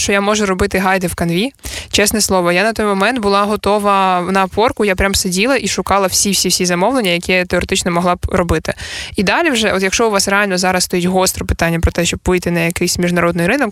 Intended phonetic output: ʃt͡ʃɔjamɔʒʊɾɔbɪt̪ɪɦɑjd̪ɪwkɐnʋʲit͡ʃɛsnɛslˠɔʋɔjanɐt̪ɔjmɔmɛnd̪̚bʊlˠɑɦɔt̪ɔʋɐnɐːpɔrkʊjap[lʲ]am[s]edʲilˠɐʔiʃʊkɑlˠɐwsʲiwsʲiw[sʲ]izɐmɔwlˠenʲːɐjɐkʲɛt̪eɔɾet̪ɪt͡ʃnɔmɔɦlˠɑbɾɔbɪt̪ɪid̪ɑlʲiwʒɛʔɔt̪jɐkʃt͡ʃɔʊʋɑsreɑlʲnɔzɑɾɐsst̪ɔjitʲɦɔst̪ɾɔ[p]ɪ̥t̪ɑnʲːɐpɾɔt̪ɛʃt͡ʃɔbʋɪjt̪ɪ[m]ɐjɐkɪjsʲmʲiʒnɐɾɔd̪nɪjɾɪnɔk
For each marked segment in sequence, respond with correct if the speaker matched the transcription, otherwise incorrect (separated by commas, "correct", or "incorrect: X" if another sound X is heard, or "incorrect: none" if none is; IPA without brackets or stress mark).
incorrect: ɾʲ, correct, correct, correct, incorrect: n